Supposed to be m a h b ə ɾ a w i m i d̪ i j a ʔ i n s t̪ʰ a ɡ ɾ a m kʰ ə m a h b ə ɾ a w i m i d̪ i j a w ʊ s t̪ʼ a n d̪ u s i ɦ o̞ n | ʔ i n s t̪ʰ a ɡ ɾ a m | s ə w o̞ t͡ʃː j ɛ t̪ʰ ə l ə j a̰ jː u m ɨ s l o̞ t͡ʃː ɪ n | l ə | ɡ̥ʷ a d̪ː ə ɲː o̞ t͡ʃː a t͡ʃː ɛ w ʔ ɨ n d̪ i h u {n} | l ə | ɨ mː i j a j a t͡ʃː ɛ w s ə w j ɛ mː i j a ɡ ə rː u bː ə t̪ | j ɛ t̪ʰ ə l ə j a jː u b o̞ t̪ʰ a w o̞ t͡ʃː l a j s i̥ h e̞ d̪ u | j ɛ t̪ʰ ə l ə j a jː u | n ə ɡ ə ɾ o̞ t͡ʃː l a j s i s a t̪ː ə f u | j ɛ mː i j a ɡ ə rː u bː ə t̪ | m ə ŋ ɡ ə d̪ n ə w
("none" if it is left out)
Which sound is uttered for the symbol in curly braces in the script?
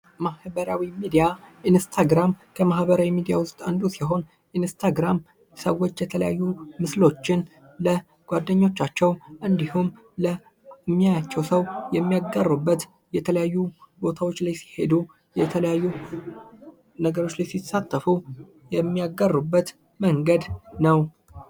m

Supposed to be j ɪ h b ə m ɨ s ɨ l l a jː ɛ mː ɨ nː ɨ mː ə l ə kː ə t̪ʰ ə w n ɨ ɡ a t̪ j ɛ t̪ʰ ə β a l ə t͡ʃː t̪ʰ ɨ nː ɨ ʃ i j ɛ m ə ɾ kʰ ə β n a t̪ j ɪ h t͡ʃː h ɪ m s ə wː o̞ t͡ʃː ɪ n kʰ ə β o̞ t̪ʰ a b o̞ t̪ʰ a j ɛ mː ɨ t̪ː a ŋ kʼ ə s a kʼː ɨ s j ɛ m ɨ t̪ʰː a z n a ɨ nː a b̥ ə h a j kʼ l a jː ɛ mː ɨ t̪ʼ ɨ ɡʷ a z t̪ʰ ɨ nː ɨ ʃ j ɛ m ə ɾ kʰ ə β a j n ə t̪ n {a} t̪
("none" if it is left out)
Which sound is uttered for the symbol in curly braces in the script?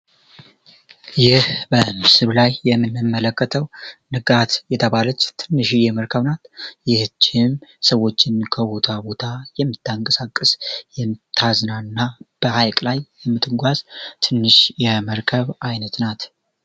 a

